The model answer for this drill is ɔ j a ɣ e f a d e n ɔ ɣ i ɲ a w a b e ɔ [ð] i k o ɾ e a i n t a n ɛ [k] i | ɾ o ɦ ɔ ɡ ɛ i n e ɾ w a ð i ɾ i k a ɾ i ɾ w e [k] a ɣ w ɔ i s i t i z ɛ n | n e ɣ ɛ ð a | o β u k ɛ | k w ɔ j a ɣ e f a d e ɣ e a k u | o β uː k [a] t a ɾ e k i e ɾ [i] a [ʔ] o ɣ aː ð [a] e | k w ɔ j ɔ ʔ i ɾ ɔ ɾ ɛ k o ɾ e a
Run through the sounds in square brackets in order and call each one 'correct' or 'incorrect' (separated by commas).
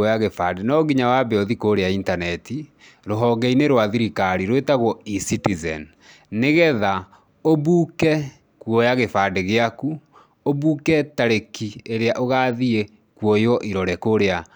correct, incorrect, incorrect, incorrect, incorrect, correct, incorrect